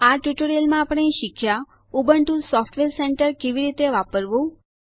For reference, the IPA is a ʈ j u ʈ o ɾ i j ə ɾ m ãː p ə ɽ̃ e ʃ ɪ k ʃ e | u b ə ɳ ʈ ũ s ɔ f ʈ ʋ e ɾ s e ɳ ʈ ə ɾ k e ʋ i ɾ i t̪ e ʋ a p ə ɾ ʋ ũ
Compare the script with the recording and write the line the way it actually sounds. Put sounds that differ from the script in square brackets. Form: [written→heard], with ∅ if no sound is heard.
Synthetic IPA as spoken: a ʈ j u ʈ o ɾ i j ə [ɾ→l] m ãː p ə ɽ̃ e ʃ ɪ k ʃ [e→a] | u b ə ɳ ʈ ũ s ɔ f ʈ ʋ e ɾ s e ɳ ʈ ə ɾ k e ʋ i ɾ i t̪ e ʋ a p ə ɾ ʋ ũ